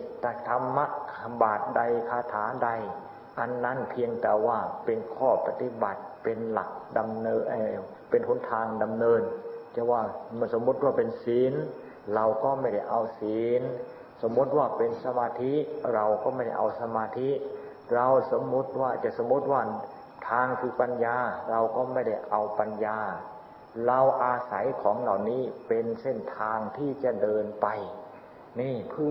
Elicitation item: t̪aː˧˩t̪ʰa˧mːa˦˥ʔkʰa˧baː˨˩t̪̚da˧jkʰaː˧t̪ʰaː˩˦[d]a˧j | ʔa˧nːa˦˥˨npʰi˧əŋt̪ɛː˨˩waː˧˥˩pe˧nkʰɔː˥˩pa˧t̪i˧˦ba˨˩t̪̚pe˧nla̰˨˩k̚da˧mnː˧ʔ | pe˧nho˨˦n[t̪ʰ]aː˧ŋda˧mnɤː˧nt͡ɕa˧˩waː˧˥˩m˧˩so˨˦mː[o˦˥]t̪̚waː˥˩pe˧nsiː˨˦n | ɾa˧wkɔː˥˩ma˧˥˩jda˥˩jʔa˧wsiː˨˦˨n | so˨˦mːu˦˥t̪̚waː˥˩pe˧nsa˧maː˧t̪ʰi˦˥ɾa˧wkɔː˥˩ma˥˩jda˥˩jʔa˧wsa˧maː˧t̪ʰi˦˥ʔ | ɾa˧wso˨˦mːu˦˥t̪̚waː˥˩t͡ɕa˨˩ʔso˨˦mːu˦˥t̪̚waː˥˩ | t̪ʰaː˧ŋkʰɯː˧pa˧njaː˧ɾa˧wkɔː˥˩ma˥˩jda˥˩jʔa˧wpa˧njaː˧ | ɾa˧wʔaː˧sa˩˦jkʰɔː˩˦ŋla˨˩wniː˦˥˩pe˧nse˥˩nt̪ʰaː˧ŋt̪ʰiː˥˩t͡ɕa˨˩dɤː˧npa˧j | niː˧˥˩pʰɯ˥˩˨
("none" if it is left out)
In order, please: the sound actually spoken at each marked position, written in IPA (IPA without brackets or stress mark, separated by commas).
d, t̪ʰ, u˦˥